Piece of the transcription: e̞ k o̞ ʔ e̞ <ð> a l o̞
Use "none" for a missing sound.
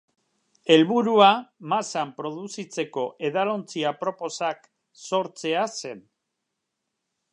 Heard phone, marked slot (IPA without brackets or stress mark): ð